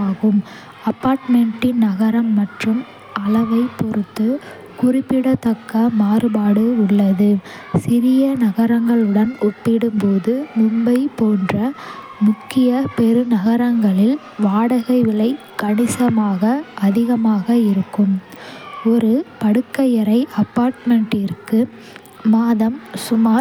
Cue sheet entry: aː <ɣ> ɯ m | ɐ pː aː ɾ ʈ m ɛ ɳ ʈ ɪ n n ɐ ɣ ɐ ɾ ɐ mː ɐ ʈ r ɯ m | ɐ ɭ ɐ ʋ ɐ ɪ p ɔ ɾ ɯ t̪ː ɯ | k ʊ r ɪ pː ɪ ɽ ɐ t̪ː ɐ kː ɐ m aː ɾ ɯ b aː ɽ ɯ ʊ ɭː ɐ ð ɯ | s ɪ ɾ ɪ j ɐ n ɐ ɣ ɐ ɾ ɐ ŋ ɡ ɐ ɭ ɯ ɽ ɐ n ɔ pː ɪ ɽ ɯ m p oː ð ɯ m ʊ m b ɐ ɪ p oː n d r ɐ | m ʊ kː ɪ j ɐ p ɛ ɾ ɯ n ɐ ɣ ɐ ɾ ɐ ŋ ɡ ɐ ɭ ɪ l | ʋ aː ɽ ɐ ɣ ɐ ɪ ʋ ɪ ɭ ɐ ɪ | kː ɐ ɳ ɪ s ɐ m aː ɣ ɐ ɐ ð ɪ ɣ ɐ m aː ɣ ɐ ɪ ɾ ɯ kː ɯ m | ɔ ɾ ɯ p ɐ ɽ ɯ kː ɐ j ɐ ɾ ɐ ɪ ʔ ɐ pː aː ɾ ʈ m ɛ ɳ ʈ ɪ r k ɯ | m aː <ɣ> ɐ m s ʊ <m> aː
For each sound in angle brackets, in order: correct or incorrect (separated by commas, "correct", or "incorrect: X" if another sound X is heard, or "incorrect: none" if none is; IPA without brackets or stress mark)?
correct, incorrect: ð, correct